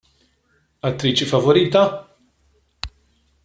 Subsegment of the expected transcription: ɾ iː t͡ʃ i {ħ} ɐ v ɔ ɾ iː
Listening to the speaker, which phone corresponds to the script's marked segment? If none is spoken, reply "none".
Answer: f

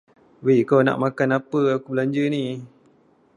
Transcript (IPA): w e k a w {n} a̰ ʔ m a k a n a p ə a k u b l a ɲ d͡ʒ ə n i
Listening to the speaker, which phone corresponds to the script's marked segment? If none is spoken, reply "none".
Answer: n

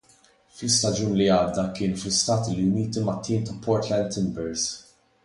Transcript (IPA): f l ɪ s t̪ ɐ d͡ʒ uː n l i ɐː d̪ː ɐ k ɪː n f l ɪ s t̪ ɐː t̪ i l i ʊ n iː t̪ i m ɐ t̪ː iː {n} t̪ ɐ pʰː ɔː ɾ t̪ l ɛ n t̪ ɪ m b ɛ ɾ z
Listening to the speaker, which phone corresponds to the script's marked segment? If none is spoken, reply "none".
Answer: n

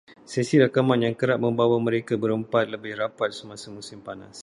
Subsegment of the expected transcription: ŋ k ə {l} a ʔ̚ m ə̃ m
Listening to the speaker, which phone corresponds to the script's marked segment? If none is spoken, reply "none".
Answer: ɾ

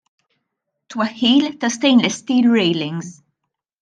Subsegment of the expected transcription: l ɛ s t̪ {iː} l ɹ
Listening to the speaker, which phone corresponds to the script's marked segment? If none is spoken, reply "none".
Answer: iː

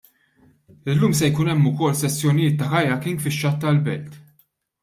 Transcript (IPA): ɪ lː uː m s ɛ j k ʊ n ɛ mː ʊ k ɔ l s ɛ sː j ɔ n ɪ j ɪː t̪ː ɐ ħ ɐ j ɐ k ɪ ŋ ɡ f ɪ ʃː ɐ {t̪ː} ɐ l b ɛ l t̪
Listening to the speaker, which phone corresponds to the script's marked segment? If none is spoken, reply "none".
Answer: t̪ː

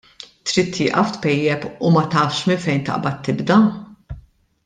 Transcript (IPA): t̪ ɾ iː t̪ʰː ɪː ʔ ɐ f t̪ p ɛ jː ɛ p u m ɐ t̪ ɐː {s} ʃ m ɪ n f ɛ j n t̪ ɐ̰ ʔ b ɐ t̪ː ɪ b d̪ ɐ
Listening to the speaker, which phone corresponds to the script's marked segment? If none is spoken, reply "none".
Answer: f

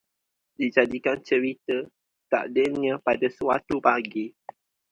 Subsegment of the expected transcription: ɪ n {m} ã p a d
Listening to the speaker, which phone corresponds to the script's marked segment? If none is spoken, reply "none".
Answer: ɲ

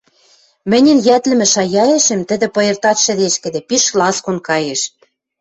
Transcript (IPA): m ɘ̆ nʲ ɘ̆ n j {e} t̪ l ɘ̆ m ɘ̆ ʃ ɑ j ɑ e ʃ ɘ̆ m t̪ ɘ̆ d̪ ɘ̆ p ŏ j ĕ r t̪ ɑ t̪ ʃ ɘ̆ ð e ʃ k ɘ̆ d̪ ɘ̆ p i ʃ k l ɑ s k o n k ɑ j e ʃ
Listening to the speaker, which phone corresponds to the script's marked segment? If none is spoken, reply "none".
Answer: æ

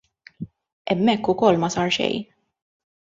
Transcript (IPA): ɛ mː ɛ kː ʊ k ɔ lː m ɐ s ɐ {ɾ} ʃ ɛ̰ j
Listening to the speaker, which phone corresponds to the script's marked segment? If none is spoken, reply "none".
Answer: ɾ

